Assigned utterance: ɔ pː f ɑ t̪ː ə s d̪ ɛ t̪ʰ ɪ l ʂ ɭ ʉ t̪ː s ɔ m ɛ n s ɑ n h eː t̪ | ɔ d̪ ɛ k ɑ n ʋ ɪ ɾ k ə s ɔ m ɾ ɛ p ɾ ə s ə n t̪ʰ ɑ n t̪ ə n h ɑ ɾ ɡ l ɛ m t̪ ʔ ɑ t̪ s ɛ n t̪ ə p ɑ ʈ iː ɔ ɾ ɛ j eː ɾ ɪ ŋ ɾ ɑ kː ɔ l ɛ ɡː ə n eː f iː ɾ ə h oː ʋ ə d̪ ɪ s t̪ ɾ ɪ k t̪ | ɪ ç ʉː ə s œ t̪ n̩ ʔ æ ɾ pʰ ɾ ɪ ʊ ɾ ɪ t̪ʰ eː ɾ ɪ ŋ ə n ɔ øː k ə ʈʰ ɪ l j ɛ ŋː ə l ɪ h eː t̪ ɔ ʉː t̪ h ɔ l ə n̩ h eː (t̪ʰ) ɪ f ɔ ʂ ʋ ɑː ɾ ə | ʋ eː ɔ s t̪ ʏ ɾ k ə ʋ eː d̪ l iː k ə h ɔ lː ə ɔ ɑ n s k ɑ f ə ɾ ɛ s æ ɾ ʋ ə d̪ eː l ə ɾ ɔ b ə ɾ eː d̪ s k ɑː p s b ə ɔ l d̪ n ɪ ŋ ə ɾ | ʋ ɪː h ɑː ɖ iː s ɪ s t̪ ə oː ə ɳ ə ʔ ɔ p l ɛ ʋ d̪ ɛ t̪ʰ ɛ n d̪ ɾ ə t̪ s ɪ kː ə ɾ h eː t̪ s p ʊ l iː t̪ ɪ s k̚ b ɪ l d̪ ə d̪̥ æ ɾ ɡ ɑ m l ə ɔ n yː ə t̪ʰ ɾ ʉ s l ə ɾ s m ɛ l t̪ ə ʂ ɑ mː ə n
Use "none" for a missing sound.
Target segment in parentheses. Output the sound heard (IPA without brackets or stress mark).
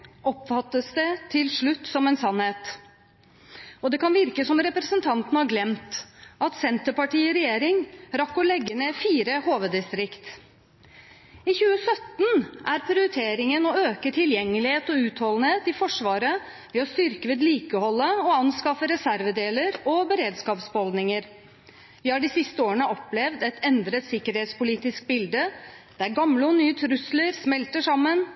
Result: t̪